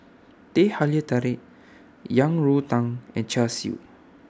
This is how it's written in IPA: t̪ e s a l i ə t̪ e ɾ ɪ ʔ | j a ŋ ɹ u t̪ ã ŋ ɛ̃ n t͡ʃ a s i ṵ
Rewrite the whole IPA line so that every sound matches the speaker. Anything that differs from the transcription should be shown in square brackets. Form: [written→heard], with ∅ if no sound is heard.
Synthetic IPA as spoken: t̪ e [s→h] a l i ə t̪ [e→a] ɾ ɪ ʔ | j a ŋ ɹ u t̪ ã ŋ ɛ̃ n t͡ʃ a s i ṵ